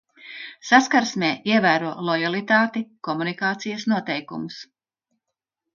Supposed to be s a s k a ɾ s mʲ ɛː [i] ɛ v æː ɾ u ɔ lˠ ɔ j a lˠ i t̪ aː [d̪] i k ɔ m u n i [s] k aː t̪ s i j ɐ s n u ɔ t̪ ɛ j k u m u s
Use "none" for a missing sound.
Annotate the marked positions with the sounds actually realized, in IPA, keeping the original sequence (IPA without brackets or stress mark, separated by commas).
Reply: i, t̪, none